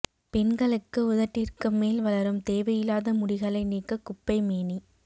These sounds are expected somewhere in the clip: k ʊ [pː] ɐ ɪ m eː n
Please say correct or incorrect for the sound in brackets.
correct